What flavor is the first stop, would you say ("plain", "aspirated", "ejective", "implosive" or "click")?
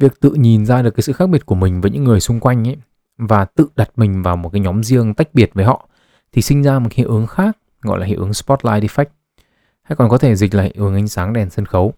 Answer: plain